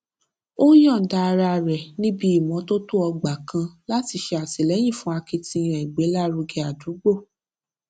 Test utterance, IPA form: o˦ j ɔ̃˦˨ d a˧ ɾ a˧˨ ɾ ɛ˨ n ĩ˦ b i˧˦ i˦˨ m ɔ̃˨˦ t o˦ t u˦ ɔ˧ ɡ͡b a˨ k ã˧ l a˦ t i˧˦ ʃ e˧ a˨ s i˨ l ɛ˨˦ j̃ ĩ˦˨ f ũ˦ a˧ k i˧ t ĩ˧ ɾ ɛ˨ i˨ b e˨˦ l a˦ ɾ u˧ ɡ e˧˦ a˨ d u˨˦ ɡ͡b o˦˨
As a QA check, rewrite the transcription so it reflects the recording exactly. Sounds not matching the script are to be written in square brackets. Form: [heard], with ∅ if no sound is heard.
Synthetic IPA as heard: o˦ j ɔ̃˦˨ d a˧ ɾ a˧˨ ɾ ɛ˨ n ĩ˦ b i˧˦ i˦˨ m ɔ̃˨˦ t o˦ t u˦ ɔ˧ ɡ͡b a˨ k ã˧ l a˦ t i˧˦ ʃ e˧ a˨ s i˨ l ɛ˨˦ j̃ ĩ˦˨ f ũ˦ a˧ k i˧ t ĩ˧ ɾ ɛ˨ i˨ [ɡ͡b] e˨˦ l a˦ ɾ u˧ ɡ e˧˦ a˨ d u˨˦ ɡ͡b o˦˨